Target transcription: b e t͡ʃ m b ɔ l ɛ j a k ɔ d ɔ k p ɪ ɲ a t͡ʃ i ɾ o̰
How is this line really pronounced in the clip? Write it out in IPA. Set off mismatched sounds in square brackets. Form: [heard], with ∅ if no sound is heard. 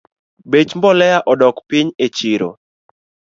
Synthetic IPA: b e t͡ʃ m b ɔ l ɛ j a [ʔ] ɔ d ɔ k p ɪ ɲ [e] t͡ʃ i ɾ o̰

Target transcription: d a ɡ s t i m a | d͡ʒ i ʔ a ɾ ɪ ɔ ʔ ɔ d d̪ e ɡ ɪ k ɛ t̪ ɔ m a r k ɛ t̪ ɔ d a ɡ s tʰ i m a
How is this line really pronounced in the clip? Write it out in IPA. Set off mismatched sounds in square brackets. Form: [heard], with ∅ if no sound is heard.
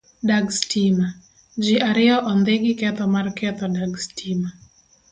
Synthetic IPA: d a ɡ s t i m a | d͡ʒ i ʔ a ɾ ɪ ɔ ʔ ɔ [n] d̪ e ɡ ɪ k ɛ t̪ ɔ m a r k ɛ t̪ ɔ d a ɡ s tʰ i m a

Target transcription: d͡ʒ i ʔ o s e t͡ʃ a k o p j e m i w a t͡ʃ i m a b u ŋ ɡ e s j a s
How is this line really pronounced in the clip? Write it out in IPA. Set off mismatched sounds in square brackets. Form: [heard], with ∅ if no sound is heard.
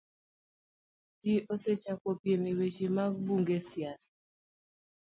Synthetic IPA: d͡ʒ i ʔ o s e t͡ʃ a k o p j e m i w [e] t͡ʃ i m a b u ŋ ɡ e s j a s

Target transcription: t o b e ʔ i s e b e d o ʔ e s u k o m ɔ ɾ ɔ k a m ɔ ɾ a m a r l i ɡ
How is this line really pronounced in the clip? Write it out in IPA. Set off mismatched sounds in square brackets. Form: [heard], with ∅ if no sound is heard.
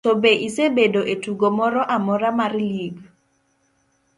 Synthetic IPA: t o b e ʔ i s e b e d o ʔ e [t] u [ɡ] o m ɔ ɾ ɔ [ʔ] a m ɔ ɾ a m a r l i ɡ

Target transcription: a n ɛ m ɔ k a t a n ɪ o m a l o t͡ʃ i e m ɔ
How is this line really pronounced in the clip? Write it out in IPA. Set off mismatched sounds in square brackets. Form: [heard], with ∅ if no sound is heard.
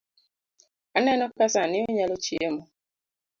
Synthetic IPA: a n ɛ [n] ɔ k a [s] a n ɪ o [ɲ] a l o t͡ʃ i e m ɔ

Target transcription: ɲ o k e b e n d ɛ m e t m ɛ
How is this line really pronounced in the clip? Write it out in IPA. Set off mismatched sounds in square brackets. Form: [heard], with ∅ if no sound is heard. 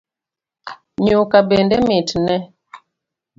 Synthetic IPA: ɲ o k [a] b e n d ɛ m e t [n] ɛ

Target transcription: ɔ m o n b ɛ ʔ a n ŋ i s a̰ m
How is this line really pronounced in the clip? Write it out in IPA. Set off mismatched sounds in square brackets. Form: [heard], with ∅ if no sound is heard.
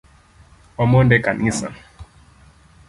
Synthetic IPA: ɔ m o n [d] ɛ [k] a n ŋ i s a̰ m

